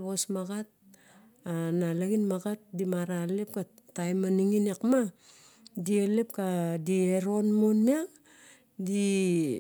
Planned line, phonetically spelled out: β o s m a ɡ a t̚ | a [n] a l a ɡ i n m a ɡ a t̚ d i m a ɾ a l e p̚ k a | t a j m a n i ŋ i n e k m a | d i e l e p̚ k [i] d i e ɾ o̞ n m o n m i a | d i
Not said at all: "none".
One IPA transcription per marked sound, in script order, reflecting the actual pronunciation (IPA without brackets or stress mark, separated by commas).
n, a